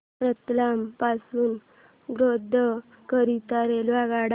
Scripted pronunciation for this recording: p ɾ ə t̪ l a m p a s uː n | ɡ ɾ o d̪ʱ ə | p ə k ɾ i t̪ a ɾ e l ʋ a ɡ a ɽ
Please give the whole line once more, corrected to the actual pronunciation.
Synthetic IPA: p ɾ ə t̪ l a m p a s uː n | ɡ ɾ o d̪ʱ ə | k ə ɾ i t̪ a ɾ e l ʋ a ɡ a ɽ

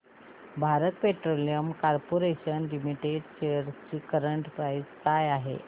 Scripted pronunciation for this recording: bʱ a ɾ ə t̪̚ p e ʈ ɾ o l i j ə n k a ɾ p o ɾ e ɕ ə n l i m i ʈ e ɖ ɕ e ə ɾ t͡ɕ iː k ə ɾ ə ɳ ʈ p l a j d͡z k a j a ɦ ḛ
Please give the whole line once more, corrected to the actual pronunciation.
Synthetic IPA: bʱ a ɾ ə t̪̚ p e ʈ ɾ o l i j ə m k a ɾ p o ɾ e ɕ ə n l i m i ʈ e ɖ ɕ e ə ɾ t͡ɕ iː k ə ɾ ə ɳ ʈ p ɾ a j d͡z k a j a ɦ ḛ

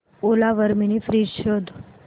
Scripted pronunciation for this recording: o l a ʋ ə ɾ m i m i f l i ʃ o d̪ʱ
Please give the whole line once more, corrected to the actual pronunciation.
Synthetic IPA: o l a ʋ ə ɾ m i n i f ɾ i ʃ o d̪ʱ

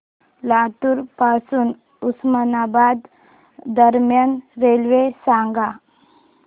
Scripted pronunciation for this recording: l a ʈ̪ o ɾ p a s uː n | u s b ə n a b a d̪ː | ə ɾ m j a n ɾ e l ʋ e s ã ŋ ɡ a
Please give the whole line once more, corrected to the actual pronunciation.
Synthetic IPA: l a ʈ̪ u ɾ p a s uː n | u s m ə n a b a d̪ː | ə ɾ m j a n ɾ e l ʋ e s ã ŋ ɡ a

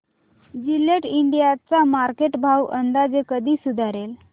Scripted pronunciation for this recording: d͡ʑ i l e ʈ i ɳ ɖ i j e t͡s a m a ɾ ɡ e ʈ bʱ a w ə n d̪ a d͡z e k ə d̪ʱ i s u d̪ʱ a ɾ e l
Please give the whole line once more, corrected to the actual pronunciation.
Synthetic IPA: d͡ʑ i l e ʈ i ɳ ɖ i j a t͡s a m a ɾ k e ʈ bʱ a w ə n d̪ a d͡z e k ə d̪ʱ iː s u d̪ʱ a ɾ e l

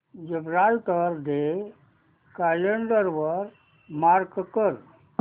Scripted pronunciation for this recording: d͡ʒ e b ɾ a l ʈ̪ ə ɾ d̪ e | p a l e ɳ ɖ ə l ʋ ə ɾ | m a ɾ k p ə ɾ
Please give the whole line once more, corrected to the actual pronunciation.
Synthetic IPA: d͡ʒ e b ɾ a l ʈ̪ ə ɾ d̪ e | k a l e ɳ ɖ ə ɾ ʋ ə ɾ | m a ɾ k k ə ɾ

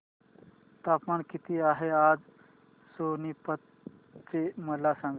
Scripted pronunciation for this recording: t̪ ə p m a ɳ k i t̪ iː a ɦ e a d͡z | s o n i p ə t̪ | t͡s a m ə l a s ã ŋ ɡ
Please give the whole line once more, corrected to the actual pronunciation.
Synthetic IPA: t̪ a p m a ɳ k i t̪ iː a ɦ e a d͡z | s o n i p ə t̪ | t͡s e m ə l a s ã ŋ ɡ

